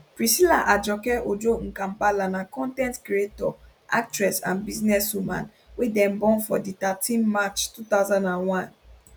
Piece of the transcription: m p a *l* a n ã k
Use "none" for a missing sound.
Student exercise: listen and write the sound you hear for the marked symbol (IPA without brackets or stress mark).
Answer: l